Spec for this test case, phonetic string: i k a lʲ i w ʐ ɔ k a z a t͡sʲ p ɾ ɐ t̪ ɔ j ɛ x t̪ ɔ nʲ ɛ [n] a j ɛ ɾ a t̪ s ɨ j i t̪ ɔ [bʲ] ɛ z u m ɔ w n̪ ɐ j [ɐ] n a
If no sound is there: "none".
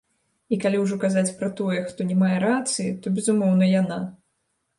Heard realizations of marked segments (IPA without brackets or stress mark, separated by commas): m, bʲ, a